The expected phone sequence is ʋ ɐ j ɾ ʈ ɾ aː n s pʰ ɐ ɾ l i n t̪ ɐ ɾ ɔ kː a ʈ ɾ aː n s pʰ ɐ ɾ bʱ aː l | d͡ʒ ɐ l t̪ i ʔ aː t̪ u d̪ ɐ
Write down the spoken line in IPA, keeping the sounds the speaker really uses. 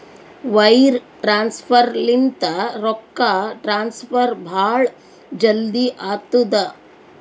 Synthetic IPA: ʋ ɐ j ɾ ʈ ɾ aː n s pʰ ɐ ɾ l i n t̪ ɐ ɾ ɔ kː a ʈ ɾ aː n s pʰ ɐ ɾ bʱ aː ɭ | d͡ʒ ɐ l d̪ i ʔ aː t̪ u d̪ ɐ